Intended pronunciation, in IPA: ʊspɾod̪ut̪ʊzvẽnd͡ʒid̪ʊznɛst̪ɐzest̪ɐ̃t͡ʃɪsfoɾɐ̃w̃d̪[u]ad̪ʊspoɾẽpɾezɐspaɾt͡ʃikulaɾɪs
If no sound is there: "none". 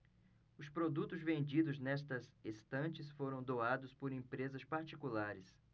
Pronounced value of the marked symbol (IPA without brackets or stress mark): o